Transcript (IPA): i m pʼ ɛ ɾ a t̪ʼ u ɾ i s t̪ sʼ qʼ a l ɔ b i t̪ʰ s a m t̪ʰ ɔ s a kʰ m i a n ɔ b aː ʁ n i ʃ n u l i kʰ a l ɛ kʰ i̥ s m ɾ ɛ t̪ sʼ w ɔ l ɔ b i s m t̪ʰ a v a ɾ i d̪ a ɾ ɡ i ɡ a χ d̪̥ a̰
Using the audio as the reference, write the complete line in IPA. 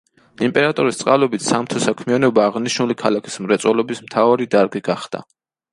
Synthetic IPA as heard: i m pʼ ɛ ɾ a t̪ʼ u ɾ i s t̪ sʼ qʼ a l ɔ b i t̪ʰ s a m t̪ʰ ɔ s a kʰ m i a n ɔ b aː ʁ n i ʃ n u l i kʰ a l a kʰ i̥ s m ɾ ɛ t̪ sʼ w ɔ l ɔ b i s m t̪ʰ a v a ɾ i d̪ a ɾ ɡ i ɡ a χ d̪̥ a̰